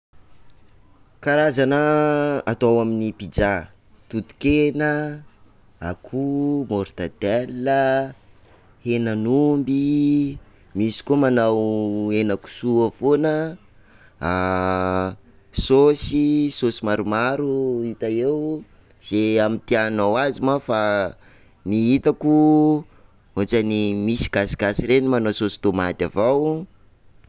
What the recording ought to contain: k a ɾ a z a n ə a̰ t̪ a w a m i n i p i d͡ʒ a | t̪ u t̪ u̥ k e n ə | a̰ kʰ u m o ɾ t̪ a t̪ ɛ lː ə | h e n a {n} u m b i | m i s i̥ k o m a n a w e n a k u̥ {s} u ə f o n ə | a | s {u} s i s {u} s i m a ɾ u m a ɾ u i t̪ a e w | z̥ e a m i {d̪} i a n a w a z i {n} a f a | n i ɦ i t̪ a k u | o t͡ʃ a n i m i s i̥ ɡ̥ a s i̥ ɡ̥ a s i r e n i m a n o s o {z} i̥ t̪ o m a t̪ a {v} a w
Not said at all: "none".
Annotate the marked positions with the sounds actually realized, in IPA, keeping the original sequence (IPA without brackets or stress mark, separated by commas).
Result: n, s, o, o, t̪, m, s, v